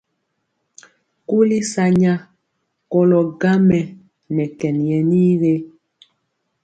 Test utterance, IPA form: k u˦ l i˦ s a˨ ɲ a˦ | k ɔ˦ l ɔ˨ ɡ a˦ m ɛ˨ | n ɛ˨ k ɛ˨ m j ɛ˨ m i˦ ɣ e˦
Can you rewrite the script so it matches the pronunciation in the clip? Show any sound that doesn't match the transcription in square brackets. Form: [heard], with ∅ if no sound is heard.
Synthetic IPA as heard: k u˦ l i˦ s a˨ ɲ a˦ | k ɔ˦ l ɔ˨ ɡ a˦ m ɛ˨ | n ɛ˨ k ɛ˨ [n] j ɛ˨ [n] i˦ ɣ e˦